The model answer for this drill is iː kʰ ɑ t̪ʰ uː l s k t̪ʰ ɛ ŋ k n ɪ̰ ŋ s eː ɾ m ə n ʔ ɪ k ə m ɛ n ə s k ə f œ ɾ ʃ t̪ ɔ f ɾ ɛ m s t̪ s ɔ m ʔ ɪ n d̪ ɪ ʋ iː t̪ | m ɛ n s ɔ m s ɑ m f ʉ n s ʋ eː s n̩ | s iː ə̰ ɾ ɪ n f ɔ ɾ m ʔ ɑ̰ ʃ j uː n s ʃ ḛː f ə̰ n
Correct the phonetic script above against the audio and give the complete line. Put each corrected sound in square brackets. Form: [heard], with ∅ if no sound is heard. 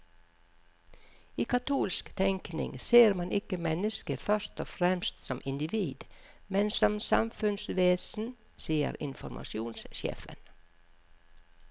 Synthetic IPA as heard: iː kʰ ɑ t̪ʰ uː l s k t̪ʰ ɛ ŋ k n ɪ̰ ŋ s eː ɾ m [ɑ] n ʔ ɪ k ə m ɛ n ə s k ə f œ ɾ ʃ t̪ ɔ f ɾ ɛ m s t̪ s ɔ m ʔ ɪ n d̪ ɪ ʋ iː [d̪] | m ɛ n s ɔ m s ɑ m f ʉ n s ʋ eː s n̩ | s iː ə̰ ɾ ɪ n f ɔ ɾ m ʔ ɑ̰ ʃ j uː n s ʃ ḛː f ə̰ n